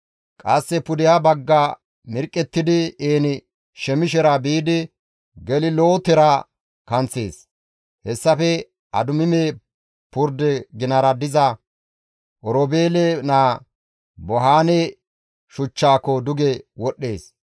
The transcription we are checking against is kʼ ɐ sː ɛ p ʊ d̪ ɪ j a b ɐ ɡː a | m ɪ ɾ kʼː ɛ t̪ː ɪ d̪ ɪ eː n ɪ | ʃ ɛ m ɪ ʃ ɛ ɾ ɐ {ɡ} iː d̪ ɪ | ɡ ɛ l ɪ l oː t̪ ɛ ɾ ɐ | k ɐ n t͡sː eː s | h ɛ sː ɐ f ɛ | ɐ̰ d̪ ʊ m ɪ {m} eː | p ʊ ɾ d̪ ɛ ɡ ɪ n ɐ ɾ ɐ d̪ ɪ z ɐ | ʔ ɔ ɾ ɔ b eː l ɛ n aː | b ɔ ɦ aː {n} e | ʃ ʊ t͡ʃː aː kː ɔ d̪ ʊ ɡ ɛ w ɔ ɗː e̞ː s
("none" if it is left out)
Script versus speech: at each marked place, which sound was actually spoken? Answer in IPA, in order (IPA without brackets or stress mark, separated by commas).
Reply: b, m, n